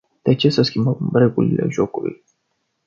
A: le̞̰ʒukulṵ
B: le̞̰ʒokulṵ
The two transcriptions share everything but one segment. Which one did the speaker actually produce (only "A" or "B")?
B